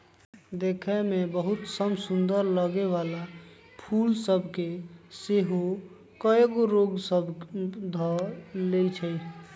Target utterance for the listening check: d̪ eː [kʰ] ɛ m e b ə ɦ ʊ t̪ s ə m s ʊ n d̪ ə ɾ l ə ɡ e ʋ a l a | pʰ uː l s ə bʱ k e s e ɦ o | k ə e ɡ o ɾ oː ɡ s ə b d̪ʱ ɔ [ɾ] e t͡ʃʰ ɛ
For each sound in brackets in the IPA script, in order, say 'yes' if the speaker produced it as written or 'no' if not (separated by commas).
yes, no